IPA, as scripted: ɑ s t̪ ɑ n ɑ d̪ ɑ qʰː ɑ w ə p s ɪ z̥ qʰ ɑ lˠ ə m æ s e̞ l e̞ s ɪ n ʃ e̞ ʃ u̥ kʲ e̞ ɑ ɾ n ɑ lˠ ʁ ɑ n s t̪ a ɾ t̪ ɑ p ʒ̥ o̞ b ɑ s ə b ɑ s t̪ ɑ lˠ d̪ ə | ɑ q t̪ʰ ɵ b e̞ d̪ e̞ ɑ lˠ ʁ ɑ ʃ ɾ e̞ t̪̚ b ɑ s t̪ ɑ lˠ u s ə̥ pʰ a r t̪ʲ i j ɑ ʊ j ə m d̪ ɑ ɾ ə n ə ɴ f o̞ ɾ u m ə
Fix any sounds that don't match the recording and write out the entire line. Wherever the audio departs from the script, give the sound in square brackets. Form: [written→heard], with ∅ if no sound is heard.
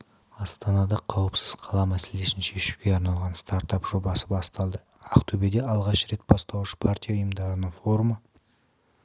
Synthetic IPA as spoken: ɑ s t̪ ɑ n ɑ d̪ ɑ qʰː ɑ w ə p s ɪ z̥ qʰ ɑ lˠ [ə→ɑ] m æ s e̞ l e̞ s ɪ n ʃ e̞ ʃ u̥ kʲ e̞ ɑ ɾ n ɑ lˠ ʁ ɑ n s t̪ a ɾ t̪ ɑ p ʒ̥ o̞ b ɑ s ə b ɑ s t̪ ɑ lˠ d̪ ə | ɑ q t̪ʰ ɵ b e̞ d̪ e̞ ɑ lˠ ʁ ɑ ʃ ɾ e̞ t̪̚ b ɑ s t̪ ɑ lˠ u [s→ʃ] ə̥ pʰ a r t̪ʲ i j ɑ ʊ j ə m d̪ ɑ ɾ ə n ə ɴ f o̞ ɾ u m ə